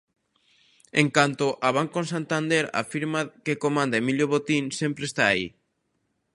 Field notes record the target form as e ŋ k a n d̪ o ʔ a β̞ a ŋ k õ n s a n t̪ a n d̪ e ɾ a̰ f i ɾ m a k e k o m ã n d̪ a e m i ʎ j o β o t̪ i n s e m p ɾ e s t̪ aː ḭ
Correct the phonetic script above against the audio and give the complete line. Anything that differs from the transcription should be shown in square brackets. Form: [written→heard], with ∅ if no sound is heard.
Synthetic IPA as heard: e ŋ k a n [d̪→t̪] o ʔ a β̞ a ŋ k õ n s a n t̪ a n d̪ e ɾ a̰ f i ɾ m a k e k o m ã n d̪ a e m i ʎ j o β o t̪ i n s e m p ɾ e s t̪ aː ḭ